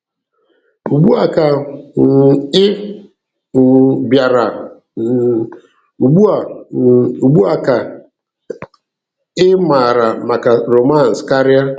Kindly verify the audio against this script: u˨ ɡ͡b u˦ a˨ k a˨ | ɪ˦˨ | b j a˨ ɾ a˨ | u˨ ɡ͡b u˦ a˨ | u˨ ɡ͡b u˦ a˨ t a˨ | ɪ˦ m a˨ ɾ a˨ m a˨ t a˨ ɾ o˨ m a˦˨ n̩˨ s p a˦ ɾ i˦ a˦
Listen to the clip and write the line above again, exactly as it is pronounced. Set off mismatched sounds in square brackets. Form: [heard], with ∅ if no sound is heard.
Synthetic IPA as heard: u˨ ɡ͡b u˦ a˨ k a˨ | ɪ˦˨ | b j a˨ ɾ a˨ | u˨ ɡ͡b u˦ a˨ | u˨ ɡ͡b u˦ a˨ [k] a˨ | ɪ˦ m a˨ ɾ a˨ m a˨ [k] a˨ ɾ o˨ m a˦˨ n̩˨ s [k] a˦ ɾ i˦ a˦